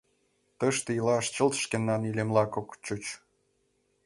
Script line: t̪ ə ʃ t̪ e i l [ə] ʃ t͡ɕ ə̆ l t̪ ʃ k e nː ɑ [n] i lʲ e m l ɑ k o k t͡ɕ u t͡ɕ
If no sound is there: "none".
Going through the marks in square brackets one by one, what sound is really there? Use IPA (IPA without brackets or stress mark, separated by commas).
ɑ, n